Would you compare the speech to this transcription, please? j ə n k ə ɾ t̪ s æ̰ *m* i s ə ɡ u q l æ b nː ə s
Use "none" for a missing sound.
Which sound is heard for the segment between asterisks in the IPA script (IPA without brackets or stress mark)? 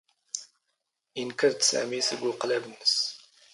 m